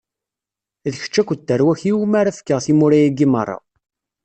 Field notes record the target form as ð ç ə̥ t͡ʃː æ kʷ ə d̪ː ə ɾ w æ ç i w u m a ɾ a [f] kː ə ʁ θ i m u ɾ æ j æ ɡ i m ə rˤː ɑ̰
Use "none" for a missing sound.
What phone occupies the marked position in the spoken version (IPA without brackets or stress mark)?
f